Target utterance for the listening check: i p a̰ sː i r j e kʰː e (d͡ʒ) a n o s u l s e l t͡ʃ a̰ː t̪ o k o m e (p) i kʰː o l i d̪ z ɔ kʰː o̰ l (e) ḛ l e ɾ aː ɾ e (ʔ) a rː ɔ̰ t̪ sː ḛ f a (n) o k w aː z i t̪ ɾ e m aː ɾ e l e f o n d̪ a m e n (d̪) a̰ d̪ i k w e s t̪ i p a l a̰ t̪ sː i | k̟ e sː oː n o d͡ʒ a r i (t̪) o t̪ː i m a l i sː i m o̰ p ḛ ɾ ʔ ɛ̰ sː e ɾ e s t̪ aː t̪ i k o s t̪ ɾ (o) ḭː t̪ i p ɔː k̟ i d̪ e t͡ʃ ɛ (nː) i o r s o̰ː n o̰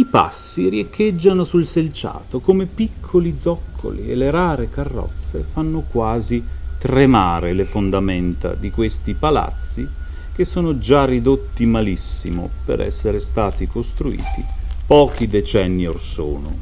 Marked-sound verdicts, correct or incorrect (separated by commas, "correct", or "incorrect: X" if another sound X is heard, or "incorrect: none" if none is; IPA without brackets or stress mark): incorrect: d͡ʒː, correct, incorrect: i, incorrect: k, incorrect: nː, incorrect: t̪, incorrect: d̪, incorrect: u, correct